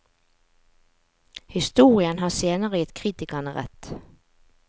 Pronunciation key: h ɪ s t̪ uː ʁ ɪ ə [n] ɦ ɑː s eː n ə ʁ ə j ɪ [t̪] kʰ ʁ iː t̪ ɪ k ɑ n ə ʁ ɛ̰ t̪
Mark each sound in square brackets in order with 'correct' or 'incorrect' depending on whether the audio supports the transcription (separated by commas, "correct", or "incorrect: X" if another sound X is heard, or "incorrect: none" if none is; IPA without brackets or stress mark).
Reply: correct, correct